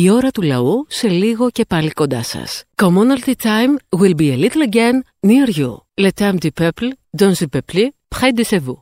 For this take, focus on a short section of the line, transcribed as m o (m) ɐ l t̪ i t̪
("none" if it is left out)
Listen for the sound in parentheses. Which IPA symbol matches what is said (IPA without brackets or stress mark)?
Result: n